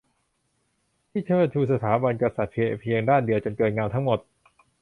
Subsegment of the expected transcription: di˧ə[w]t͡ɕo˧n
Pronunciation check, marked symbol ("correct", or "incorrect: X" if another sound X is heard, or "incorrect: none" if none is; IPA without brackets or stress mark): correct